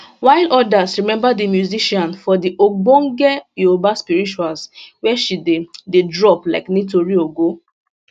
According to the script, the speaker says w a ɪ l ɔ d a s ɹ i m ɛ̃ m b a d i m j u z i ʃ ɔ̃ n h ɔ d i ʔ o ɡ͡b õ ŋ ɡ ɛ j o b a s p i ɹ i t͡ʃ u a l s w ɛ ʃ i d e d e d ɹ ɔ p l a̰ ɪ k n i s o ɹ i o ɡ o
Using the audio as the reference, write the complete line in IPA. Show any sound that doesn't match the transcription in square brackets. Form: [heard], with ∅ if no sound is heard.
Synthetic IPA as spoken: w a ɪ l ɔ d a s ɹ i m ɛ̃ m b a d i m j u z i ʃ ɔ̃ n [f] ɔ d i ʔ o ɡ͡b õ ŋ ɡ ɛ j o b a s p i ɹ i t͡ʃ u a l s w ɛ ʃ i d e d e d ɹ ɔ p l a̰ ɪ k n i [t] o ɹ i o ɡ o